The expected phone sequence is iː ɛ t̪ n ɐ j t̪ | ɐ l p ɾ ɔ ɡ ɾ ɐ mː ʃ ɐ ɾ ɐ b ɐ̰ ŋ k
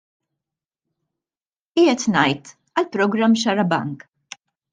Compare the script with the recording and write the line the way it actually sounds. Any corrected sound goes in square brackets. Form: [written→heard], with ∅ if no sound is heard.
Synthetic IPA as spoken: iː ɛ t̪ n ɐ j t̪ | ɐ l p ɾ ɔ ɡ ɾ ɐ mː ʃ ɐ ɾ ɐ b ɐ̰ ŋ k